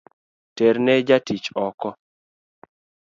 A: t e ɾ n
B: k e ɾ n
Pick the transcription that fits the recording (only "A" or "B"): A